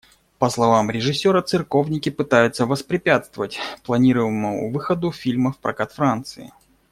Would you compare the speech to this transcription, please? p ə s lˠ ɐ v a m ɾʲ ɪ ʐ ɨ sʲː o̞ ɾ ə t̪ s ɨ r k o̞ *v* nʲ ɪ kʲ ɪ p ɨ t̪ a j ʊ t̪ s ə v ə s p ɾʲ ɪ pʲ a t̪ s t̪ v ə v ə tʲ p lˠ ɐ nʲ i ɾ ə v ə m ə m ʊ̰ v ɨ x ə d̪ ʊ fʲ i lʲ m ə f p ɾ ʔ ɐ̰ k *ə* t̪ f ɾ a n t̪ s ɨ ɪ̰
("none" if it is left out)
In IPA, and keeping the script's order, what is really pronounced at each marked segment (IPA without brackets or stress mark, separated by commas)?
v, a